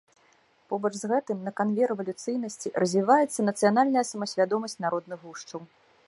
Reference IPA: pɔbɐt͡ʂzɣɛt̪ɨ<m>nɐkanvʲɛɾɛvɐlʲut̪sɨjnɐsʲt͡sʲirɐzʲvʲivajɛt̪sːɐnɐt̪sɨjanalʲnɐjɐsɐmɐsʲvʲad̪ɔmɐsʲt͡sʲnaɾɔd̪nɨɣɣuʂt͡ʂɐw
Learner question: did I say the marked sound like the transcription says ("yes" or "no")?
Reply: yes